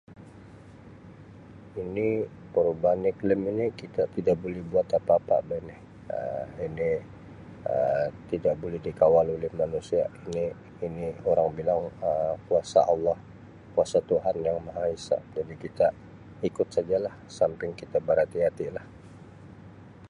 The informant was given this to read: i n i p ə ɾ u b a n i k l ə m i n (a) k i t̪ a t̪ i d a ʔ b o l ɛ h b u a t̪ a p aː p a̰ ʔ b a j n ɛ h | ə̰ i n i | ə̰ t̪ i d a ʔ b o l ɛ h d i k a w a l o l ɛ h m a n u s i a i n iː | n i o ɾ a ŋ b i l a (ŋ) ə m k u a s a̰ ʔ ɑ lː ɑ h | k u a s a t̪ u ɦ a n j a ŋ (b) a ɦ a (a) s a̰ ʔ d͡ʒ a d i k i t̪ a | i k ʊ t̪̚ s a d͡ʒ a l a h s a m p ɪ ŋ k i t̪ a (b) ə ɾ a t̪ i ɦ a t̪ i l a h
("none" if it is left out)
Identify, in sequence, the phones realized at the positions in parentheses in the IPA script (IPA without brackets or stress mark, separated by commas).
i, ŋ, m, i, b